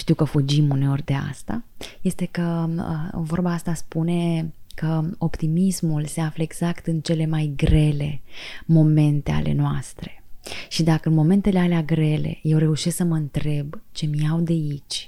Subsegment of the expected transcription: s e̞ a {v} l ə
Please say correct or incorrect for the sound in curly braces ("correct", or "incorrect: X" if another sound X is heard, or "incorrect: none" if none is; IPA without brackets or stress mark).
incorrect: f